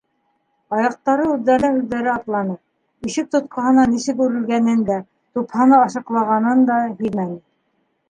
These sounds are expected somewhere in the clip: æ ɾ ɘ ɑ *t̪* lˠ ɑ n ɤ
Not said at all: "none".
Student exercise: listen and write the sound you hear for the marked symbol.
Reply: t̪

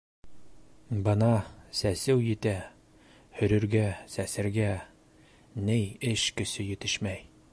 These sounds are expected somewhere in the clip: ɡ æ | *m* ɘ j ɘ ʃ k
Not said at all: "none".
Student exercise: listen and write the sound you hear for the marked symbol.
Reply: n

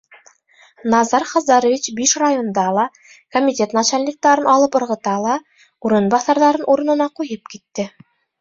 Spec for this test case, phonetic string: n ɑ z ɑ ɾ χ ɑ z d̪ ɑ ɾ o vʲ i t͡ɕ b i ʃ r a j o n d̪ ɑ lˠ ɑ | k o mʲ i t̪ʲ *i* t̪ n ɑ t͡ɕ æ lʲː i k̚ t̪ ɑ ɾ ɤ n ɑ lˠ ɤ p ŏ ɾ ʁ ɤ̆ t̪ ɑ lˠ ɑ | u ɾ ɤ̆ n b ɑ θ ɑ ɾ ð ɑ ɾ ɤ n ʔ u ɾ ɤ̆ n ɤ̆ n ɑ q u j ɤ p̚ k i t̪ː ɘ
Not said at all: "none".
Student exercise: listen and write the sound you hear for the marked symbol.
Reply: e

